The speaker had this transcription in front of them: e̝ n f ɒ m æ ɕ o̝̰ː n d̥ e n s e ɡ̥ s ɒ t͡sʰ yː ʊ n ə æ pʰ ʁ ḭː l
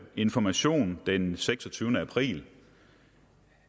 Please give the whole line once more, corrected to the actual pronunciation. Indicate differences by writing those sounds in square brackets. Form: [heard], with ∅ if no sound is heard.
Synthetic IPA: e̝ n f ɒ m æ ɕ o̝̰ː n d̥ e n s e ɡ̥ s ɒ t͡sʰ yː ʊ n ə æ pʰ ʁ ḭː l